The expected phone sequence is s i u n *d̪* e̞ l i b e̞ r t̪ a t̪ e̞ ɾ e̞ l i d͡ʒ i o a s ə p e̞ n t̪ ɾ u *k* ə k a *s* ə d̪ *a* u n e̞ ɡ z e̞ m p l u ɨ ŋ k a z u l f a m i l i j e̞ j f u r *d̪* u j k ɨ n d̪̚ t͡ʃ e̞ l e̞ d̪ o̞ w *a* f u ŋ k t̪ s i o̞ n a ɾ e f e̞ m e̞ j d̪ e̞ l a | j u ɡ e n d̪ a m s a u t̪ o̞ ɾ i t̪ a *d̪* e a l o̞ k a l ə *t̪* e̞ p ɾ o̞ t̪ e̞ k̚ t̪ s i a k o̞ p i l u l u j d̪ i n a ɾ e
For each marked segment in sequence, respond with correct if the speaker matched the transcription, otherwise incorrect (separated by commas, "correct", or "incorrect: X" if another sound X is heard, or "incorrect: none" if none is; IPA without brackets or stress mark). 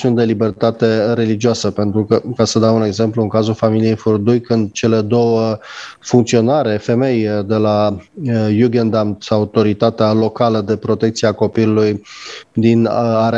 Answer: correct, correct, correct, correct, correct, incorrect: ə, incorrect: t̪, incorrect: d̪